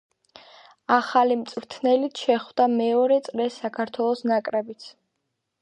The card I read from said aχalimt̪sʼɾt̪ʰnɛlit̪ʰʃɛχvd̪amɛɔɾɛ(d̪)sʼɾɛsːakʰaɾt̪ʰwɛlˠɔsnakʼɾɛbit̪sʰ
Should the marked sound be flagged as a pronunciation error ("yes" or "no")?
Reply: yes